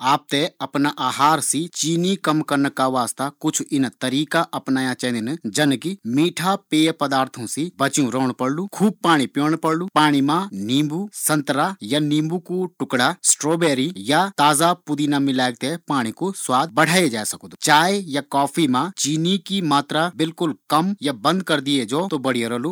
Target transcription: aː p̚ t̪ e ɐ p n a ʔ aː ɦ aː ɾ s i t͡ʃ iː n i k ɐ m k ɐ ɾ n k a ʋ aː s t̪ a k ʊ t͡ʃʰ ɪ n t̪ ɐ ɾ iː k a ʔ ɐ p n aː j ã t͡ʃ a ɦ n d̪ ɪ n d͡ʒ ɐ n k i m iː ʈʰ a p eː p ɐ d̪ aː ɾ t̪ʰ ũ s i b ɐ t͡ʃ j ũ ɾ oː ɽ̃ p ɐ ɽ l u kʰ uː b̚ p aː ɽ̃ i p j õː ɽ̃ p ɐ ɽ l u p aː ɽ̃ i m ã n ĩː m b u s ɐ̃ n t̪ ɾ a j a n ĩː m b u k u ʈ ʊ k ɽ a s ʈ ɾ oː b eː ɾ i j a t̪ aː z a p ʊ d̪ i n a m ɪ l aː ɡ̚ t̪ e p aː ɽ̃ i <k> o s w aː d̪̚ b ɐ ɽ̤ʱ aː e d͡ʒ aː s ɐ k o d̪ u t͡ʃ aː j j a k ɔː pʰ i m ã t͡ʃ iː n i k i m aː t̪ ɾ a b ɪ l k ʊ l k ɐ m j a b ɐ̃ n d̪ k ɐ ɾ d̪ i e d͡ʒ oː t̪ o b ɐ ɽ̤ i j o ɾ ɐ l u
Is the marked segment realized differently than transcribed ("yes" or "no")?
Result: no